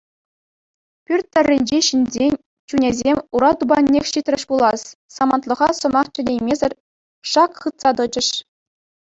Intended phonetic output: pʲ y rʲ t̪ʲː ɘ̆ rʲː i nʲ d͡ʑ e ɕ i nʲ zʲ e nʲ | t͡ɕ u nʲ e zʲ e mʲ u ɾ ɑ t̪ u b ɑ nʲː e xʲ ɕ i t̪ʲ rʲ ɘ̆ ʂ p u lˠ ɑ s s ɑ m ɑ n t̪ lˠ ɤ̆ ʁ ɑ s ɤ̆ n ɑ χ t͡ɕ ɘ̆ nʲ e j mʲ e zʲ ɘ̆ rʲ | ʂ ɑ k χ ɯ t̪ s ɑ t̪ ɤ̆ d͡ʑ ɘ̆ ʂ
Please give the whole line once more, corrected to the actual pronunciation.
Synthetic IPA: pʲ y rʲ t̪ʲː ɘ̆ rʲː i nʲ d͡ʑ e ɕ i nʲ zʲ e nʲ | t͡ɕ u nʲ e zʲ e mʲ u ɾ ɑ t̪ u b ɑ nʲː e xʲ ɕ i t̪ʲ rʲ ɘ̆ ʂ p u lˠ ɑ s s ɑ m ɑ n t̪ lˠ ɤ̆ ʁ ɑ s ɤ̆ m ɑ χ t͡ɕ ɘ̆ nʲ e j mʲ e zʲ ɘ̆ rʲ | ʂ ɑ k χ ɯ t̪ s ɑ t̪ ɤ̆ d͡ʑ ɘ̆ ʂ